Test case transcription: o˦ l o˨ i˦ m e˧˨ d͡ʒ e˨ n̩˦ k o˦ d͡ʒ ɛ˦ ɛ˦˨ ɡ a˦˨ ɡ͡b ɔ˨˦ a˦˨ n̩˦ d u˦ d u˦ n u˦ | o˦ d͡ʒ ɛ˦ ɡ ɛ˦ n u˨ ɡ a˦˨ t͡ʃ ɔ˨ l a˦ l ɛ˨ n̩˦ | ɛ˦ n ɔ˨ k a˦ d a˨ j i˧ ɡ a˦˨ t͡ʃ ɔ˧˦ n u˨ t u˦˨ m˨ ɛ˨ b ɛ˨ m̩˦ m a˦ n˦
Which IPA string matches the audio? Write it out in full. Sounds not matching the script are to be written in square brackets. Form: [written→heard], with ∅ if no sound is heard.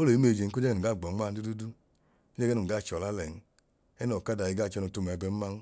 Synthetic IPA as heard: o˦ l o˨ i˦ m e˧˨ d͡ʒ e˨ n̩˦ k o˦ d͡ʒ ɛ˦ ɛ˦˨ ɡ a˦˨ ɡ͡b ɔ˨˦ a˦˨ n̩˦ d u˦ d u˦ [n→d] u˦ | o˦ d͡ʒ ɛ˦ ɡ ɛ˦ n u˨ ɡ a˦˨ t͡ʃ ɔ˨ l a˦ l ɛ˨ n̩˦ | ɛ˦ n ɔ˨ k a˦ d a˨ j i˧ ɡ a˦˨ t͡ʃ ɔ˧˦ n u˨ t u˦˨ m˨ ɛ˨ b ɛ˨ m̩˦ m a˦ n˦

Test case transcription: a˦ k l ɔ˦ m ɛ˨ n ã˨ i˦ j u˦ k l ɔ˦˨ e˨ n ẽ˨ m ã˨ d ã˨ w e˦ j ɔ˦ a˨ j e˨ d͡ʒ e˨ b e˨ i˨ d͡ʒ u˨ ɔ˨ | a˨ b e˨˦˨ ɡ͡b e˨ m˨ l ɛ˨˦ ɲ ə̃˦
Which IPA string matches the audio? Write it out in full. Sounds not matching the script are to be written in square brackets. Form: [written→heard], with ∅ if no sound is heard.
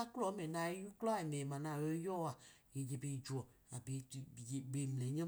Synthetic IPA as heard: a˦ k l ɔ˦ m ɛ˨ n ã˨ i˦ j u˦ k l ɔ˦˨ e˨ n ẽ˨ m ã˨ [d→n] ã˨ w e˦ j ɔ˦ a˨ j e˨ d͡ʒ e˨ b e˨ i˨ d͡ʒ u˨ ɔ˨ | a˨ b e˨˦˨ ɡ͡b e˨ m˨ l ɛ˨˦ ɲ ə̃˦

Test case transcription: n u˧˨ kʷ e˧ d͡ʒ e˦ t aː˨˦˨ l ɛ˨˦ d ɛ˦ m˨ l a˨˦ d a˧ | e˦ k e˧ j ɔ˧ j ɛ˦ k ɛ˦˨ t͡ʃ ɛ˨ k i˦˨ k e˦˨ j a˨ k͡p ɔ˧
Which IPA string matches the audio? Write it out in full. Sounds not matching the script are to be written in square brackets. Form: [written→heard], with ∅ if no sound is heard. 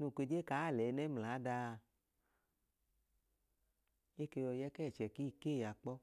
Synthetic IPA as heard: n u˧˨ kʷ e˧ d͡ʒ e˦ [t→k] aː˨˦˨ l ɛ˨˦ [d→n] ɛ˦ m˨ l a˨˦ d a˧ | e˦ k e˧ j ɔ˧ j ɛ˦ k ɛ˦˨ t͡ʃ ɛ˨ k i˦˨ k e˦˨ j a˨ k͡p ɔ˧

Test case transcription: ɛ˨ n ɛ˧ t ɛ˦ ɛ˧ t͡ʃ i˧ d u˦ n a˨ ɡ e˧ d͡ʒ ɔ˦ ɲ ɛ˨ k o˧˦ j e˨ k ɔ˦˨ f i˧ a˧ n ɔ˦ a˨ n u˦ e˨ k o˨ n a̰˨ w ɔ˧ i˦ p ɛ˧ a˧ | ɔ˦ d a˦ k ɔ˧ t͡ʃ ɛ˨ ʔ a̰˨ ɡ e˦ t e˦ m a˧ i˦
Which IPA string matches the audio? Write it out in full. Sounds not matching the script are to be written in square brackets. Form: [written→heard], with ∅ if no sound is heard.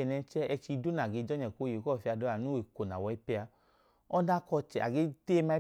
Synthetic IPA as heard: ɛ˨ n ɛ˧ [t→t͡ʃ] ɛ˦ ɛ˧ t͡ʃ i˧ d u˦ n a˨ ɡ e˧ d͡ʒ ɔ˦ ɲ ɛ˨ k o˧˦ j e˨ k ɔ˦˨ f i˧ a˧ [n→d] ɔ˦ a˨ n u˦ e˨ k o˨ n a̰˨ w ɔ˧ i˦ p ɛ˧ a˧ | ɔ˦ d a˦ k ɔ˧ t͡ʃ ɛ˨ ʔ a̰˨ ɡ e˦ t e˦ m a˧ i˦

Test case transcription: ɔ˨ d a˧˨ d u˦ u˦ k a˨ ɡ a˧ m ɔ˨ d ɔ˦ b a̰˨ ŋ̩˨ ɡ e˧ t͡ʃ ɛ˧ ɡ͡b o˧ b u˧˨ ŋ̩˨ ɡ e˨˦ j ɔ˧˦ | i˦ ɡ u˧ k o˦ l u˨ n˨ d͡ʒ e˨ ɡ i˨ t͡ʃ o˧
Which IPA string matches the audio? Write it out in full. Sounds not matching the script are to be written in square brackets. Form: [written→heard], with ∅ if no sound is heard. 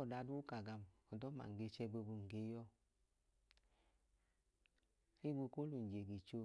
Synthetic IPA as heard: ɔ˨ d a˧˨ d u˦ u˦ k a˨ ɡ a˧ m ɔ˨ d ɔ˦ [b→m] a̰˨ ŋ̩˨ ɡ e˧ t͡ʃ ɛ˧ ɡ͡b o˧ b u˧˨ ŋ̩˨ ɡ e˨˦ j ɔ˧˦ | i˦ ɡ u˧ k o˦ l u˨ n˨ d͡ʒ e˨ ɡ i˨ t͡ʃ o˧

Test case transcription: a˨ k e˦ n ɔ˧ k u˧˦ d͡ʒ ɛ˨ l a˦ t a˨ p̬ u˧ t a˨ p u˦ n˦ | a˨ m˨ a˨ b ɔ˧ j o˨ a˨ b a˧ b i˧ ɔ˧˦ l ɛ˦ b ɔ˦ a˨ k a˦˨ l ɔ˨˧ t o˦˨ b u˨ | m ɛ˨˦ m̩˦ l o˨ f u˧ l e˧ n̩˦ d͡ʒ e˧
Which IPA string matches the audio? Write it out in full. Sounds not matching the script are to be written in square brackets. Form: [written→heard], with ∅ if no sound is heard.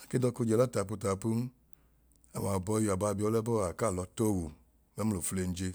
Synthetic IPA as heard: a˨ k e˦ [n→d] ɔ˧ k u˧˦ d͡ʒ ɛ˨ l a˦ t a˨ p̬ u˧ t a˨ p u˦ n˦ | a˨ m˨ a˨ b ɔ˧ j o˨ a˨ b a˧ b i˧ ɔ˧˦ l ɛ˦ b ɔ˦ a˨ k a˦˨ l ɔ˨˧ t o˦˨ [b→w] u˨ | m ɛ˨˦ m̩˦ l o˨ f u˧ l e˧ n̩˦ d͡ʒ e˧

